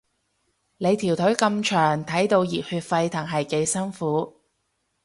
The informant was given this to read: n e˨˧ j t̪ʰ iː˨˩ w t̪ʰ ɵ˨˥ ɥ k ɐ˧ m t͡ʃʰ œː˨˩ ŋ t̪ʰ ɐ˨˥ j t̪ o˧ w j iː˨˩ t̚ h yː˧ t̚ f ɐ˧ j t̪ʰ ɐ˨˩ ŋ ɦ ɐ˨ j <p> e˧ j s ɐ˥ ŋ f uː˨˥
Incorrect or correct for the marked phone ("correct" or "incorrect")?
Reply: incorrect